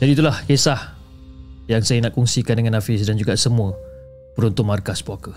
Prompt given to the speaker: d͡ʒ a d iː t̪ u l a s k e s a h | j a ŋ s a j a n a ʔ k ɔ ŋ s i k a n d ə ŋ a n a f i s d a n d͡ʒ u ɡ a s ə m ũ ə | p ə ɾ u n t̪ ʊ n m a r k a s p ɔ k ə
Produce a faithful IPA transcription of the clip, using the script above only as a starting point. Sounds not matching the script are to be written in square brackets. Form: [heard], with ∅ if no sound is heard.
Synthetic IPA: d͡ʒ a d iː t̪ u l a [h] k e s a h | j a ŋ s a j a n a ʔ k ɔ ŋ s i k a n d ə ŋ a n a f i s d a n d͡ʒ u ɡ a s ə m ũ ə | p ə ɾ u n t̪ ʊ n m a r k a s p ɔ k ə